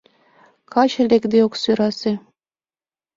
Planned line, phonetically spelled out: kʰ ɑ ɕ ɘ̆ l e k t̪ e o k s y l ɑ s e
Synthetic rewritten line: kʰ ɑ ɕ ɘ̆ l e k d̪ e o k s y ɾ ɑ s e